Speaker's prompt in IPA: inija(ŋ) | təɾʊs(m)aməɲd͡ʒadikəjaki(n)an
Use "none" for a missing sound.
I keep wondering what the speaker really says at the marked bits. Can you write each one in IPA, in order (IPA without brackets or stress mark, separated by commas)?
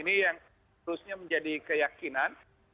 ŋ, ɲ, n